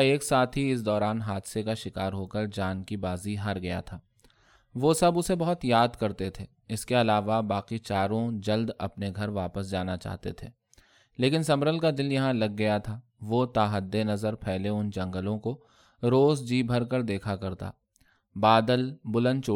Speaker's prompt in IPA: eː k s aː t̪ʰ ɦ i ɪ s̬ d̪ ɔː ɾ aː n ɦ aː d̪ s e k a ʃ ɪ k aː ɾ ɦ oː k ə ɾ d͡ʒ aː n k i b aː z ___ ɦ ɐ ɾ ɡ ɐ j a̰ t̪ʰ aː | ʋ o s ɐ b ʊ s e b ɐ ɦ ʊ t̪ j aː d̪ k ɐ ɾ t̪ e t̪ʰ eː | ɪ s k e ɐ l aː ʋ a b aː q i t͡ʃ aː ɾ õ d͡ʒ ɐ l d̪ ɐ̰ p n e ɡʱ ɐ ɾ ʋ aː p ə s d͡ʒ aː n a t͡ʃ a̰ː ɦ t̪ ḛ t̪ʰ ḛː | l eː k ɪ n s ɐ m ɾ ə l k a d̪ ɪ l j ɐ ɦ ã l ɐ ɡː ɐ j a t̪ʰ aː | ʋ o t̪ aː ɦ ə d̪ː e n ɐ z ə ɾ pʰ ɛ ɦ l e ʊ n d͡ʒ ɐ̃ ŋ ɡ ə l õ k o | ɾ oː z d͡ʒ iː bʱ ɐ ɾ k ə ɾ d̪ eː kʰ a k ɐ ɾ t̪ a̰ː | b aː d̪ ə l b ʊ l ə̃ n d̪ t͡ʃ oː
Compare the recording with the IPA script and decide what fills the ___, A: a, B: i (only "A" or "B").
B